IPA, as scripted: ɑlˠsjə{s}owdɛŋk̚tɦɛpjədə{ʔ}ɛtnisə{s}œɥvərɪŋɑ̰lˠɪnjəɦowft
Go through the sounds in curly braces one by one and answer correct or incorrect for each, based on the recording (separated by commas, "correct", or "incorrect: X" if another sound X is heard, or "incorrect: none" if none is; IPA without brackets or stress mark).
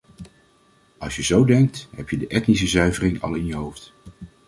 incorrect: z, correct, incorrect: z